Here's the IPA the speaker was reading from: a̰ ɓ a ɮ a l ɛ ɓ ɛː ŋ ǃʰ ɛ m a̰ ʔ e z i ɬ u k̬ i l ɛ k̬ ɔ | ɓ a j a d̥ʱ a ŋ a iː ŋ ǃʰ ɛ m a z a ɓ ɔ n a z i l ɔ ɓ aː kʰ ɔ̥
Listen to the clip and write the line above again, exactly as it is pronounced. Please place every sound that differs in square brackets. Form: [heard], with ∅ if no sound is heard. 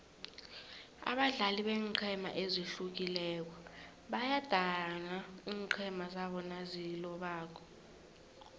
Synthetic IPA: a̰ ɓ a ɮ a l [i] ɓ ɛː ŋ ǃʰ ɛ m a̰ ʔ e z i ɬ u k̬ i l ɛ k̬ ɔ | ɓ a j a d̥ʱ a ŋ a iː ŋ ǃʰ ɛ m a z a ɓ ɔ n a z i l ɔ ɓ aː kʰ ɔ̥

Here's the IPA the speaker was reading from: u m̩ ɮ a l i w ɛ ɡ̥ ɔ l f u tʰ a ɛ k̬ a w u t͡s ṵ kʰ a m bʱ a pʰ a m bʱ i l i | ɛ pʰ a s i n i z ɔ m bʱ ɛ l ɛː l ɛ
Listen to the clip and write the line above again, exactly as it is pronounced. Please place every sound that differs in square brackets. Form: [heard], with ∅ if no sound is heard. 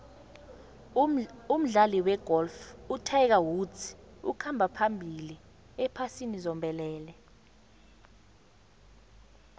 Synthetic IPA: u m̩ ɮ a l i w ɛ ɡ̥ ɔ l f u tʰ a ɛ k̬ a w u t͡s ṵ kʰ a m bʱ a pʰ a m bʱ i l i | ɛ pʰ a s i n i z ɔ m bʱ ɛ l ɛː l ɛ

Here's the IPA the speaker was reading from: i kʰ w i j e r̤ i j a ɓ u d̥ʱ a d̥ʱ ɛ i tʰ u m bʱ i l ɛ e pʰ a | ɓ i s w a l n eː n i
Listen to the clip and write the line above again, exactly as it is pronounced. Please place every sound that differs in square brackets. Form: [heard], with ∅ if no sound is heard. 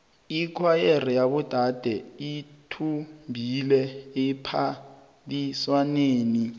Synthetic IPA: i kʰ w [a] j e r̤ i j a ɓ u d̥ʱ a d̥ʱ ɛ i tʰ u m bʱ i l ɛ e pʰ a | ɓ i s w a [∅] n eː n i

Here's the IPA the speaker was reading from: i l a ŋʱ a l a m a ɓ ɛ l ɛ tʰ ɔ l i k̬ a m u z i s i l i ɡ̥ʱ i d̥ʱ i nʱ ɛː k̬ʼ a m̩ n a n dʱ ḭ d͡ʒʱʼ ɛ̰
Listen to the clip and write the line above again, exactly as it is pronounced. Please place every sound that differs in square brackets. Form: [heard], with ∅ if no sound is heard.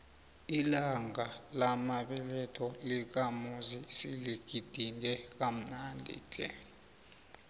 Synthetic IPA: i l a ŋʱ a l a m a ɓ ɛ l ɛ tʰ ɔ l i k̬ a m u z i s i l i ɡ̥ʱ i d̥ʱ i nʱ [ɛ] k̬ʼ a m̩ n a n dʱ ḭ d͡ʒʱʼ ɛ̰

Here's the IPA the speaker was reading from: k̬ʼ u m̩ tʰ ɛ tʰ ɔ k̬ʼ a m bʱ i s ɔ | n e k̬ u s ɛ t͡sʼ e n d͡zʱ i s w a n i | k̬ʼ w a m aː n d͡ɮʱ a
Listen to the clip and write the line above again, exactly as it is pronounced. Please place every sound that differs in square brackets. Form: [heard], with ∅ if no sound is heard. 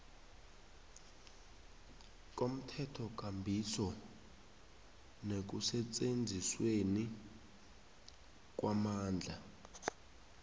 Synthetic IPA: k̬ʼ [o] m̩ tʰ ɛ tʰ ɔ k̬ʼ a m bʱ i s ɔ | n e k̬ u s ɛ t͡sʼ e n d͡zʱ i s w [e] n i | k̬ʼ w a m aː n d͡ɮʱ a

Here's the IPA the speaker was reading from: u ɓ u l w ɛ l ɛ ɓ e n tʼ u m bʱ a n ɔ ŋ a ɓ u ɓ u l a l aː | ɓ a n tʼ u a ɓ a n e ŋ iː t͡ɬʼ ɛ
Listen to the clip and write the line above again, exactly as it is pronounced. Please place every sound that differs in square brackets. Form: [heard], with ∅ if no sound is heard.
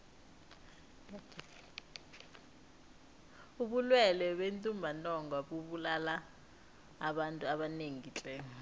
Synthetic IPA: u ɓ u l w ɛ l ɛ ɓ e n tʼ u m bʱ a n ɔ ŋ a ɓ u ɓ u l a l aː | ɓ a n tʼ u a ɓ a n e ŋ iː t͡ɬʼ ɛ

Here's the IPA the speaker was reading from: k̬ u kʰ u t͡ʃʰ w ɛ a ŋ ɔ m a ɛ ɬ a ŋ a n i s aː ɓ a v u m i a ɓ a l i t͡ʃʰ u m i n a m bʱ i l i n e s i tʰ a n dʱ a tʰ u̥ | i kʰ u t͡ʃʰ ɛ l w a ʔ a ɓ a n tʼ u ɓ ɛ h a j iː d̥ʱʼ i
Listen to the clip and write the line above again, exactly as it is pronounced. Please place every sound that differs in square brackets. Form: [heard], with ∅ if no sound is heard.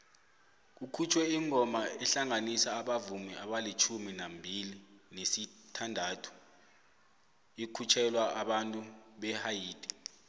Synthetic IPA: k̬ u kʰ u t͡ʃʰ w ɛ [i] ŋ ɔ m a ɛ ɬ a ŋ a n i s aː ɓ a v u m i a ɓ a l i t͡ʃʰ u m i n a m bʱ i l i n e s i tʰ a n dʱ a tʰ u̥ | i kʰ u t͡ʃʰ ɛ l w a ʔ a ɓ a n tʼ u ɓ ɛ h a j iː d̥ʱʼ i

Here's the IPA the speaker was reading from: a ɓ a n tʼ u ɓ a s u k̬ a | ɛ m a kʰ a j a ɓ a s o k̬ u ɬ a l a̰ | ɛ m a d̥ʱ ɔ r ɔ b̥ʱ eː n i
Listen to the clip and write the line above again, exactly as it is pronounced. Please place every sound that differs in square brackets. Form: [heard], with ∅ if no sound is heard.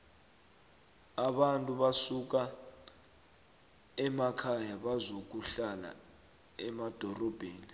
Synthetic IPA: a ɓ a n tʼ u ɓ a s u k̬ a | ɛ m a kʰ a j a ɓ a [z] o k̬ u ɬ a l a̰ | ɛ m a d̥ʱ ɔ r ɔ b̥ʱ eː n i

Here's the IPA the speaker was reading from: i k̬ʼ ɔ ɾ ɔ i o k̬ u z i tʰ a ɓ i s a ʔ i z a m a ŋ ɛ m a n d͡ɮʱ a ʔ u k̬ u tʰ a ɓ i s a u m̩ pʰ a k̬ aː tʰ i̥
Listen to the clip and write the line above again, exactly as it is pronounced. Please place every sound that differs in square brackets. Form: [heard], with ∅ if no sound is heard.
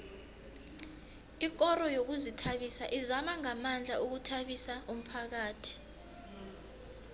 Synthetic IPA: i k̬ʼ ɔ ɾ ɔ [j] o k̬ u z i tʰ a ɓ i s a ʔ i z a m a ŋ [a] m a n d͡ɮʱ a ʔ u k̬ u tʰ a ɓ i s a u m̩ pʰ a k̬ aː tʰ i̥

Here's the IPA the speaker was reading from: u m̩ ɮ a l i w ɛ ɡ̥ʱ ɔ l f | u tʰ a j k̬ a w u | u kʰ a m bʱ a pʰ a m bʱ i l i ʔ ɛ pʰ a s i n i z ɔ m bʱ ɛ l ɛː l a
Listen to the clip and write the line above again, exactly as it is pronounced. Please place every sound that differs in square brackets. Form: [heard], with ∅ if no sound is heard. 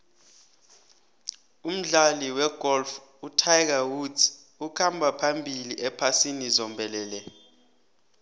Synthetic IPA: u m̩ ɮ a l i w ɛ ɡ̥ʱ ɔ l f | u tʰ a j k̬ a w u | u kʰ a m bʱ a pʰ a m bʱ i l i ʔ ɛ pʰ a s i n i z ɔ m bʱ ɛ l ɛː l [ɛ]

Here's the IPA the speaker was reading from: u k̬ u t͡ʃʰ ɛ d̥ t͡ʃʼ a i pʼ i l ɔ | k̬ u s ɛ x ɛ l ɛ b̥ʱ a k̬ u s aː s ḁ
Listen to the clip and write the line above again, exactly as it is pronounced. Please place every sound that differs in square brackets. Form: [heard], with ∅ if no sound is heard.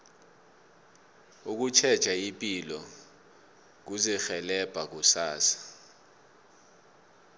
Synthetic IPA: u k̬ u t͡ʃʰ ɛ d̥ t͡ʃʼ a i pʼ i l ɔ | k̬ u [z] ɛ x ɛ l ɛ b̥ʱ a k̬ u s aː s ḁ

